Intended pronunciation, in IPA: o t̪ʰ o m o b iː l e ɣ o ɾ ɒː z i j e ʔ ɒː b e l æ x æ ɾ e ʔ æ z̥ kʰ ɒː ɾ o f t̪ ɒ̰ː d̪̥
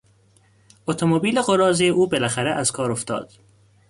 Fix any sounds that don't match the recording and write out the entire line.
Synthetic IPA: o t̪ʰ o m o b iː l e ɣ o ɾ ɒː z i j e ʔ uː b e l æ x æ ɾ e ʔ æ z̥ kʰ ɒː ɾ o f t̪ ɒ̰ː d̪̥